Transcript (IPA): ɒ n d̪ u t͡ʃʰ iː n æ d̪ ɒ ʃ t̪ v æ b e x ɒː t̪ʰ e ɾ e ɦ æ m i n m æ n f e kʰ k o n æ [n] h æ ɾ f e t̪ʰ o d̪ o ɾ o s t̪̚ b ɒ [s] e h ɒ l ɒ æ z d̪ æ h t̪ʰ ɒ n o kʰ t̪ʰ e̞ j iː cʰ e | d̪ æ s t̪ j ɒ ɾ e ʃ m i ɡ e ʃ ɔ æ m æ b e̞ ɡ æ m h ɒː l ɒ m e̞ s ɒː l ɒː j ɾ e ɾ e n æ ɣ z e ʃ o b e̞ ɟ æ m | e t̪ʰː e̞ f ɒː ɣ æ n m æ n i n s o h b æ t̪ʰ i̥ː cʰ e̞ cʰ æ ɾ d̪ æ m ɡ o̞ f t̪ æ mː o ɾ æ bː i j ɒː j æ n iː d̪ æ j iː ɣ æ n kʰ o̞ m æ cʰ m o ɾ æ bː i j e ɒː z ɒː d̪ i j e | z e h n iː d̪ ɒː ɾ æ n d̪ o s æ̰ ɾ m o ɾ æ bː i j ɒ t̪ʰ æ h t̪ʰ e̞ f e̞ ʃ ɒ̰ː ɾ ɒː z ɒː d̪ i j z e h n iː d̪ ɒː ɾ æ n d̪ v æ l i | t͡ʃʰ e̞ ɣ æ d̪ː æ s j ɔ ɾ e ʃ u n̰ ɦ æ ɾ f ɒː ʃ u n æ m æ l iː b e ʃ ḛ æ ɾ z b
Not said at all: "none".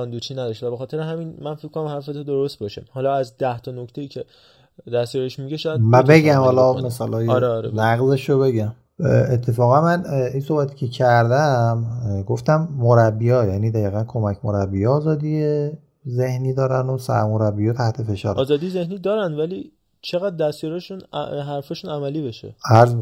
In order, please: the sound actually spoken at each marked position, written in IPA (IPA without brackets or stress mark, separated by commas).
m, ʃ